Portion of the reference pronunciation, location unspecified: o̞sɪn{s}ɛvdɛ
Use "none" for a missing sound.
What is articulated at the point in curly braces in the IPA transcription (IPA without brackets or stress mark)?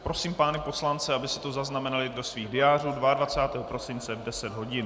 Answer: t͡s